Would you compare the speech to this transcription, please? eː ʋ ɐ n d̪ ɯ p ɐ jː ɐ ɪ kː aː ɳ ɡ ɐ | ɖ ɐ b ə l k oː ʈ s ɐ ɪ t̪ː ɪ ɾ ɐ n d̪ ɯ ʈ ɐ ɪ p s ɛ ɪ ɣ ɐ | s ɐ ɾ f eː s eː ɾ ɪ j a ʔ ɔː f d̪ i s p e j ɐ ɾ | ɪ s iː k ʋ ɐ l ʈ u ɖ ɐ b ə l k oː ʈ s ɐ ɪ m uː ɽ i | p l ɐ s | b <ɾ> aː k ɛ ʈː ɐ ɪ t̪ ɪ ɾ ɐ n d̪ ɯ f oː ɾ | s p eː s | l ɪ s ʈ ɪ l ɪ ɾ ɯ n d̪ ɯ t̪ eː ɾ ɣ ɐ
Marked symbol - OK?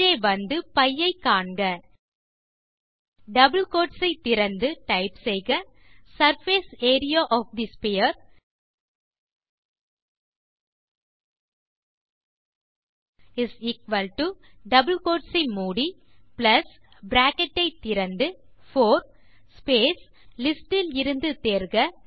yes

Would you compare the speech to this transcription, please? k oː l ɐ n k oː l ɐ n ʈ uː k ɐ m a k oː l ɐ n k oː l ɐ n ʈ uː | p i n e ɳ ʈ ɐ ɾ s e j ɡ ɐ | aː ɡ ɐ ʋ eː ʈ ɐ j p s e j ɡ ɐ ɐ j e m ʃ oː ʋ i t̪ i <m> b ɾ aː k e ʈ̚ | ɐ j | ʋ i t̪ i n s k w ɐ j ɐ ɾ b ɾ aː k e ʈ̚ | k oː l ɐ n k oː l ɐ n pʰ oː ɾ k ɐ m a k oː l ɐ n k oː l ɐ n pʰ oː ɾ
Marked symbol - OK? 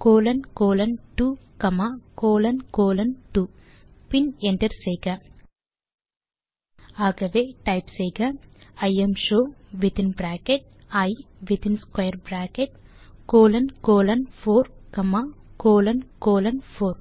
no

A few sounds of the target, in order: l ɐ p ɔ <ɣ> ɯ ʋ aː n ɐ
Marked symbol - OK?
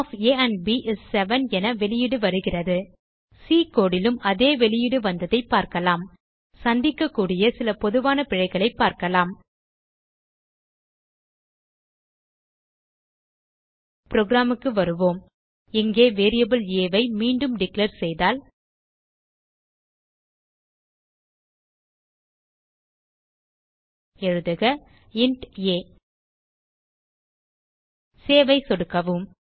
no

